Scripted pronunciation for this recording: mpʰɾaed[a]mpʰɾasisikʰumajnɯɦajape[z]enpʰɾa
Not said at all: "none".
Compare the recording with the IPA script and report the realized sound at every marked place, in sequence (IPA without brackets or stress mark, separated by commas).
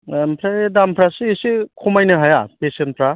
a, s